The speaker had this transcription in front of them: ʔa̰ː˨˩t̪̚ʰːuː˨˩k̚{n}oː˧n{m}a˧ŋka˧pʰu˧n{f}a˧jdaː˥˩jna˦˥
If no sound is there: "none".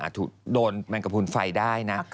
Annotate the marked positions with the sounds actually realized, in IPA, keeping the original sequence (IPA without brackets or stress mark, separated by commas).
d, m, f